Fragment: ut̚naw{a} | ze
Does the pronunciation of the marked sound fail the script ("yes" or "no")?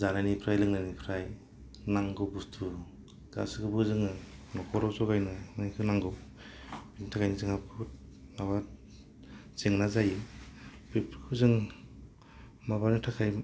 no